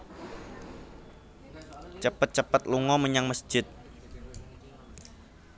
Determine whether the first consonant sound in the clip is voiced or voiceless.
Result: voiceless